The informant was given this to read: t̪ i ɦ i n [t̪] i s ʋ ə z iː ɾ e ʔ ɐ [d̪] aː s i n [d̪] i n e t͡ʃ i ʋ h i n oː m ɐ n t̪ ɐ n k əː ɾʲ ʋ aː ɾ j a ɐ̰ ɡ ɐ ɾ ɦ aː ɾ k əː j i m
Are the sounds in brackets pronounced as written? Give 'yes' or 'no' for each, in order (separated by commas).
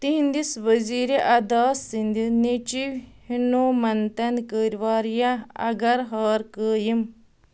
no, yes, yes